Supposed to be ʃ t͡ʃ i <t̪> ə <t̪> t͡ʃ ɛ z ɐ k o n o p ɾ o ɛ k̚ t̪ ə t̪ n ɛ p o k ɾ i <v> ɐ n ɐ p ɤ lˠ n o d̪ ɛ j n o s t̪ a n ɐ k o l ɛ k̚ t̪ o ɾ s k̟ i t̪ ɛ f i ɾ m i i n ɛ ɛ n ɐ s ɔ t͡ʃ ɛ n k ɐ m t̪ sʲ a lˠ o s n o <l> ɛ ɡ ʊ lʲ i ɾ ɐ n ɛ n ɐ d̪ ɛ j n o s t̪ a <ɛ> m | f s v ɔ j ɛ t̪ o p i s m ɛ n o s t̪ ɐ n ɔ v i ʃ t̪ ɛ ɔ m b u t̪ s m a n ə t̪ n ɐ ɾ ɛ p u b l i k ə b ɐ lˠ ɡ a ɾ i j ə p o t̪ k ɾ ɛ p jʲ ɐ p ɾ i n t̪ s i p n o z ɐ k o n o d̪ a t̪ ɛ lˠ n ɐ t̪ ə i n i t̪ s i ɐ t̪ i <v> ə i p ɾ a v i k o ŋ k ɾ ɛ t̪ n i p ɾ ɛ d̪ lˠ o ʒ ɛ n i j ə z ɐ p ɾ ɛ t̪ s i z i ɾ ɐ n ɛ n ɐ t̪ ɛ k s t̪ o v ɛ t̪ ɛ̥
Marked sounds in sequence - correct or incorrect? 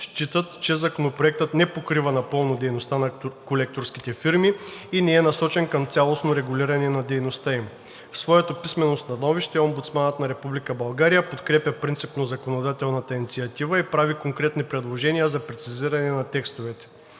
correct, correct, correct, incorrect, incorrect, correct

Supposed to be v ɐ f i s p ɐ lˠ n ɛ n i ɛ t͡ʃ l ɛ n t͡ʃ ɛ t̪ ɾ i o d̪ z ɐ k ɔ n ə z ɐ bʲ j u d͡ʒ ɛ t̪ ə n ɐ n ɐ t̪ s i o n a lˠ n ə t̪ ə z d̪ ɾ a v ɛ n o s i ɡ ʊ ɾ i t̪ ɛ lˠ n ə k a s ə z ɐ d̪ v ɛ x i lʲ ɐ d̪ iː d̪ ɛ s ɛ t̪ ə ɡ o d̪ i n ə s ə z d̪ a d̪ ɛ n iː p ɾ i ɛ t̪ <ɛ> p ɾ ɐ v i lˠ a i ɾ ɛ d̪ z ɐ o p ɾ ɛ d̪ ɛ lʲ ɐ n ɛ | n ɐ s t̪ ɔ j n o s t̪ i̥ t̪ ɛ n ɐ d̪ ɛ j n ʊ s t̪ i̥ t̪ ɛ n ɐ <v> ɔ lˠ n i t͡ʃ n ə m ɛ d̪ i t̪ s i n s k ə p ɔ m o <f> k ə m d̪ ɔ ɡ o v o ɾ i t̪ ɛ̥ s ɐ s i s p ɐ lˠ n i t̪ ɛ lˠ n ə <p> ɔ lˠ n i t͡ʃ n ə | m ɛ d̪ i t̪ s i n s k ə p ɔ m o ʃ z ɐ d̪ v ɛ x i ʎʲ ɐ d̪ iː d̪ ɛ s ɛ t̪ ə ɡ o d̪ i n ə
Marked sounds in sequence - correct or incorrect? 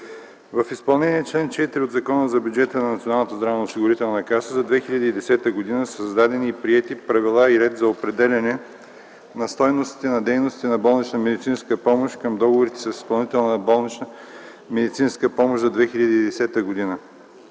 incorrect, incorrect, incorrect, incorrect

